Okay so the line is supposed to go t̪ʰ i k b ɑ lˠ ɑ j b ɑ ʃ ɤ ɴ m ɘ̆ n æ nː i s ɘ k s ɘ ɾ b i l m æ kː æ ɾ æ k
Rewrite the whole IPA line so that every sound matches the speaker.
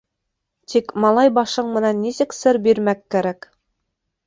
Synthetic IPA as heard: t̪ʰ i k m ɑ lˠ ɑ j b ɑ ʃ ɤ ɴ m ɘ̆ n æ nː i s ɘ k s ɘ ɾ b i ɾ m æ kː æ ɾ æ k